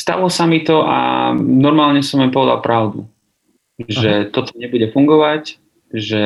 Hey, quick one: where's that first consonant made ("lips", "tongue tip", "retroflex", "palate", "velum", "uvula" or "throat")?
tongue tip